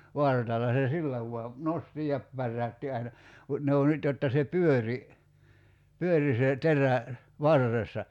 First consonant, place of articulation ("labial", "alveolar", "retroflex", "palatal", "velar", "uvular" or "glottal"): labial